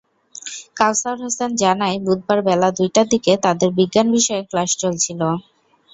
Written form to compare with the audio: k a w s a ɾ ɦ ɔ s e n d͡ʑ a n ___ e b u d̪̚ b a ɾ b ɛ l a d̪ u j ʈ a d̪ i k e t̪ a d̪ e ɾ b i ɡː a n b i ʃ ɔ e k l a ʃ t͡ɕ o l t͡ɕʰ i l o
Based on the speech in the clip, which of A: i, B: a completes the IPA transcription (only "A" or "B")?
B